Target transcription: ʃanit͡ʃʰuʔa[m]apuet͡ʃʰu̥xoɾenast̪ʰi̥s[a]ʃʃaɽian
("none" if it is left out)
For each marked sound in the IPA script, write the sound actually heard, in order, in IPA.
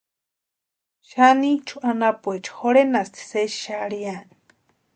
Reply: n, e

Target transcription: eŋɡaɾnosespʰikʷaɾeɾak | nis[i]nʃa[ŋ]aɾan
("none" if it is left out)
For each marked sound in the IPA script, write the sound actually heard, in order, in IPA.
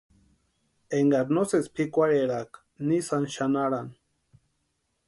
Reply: a, n

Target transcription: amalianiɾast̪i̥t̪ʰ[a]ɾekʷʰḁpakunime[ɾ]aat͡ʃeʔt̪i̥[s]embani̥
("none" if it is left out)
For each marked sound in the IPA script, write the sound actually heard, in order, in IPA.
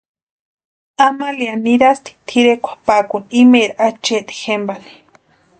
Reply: i, ɾ, x

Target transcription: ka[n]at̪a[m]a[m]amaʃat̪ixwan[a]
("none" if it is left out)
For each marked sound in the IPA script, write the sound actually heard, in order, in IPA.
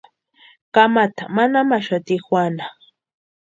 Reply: m, m, n, a

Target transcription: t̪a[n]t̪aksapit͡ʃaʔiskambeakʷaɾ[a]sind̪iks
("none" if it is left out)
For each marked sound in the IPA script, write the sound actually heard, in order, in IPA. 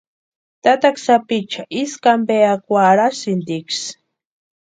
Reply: none, a

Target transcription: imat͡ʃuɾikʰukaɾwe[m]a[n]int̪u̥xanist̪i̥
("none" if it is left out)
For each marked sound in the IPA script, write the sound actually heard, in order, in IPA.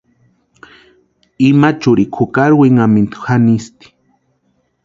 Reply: ŋ, m

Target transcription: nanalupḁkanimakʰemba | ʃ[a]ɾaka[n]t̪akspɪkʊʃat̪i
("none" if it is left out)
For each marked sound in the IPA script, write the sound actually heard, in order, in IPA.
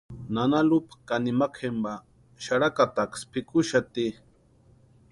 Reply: a, none

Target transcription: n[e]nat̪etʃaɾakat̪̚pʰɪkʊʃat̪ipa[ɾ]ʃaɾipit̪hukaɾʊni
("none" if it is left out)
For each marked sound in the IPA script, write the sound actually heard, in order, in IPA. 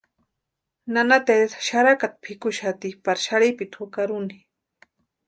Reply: a, ɾ

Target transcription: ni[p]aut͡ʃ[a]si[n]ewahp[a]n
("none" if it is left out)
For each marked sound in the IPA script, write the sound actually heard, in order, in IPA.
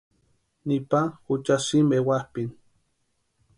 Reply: p, a, m, i

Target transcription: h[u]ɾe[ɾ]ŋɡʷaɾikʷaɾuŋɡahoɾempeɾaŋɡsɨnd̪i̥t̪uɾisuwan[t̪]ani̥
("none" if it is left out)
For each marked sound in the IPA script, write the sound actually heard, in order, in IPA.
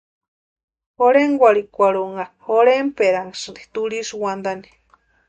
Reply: o, none, d̪

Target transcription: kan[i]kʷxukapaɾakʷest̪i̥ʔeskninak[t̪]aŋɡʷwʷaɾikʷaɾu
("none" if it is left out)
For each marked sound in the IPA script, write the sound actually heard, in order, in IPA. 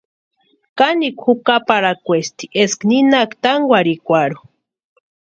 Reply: i, t̪

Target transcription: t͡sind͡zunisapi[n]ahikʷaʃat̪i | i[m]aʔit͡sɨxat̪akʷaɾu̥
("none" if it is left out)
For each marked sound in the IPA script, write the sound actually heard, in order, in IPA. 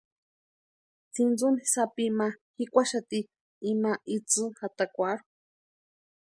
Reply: m, m

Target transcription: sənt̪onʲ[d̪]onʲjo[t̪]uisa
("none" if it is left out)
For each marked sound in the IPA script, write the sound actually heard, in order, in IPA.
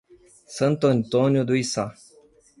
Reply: t̪, d̪

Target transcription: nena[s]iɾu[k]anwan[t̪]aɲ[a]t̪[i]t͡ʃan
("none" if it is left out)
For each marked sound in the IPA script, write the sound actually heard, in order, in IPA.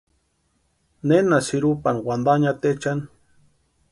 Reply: s, p, d̪, a, e

